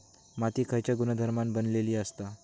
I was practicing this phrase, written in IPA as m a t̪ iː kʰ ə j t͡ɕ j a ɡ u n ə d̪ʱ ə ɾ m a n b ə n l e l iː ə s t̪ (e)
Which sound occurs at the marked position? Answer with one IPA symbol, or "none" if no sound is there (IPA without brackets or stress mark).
a